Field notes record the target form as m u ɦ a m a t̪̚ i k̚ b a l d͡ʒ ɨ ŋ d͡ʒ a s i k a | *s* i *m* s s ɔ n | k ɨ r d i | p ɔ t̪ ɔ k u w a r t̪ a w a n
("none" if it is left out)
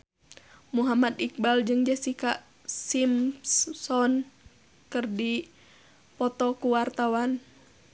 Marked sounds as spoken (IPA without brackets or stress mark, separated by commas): s, m